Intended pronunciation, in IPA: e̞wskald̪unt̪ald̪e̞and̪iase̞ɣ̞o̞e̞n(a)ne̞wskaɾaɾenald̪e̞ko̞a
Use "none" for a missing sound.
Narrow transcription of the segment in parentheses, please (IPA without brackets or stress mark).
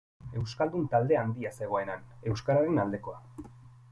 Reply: a